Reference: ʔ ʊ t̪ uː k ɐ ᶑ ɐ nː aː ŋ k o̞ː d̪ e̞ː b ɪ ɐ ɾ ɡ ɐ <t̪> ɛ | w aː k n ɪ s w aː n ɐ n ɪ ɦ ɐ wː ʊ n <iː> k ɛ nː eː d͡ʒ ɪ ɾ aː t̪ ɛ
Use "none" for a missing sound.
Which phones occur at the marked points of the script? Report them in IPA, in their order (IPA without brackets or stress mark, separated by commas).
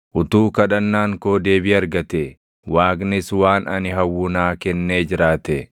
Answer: t̪, aː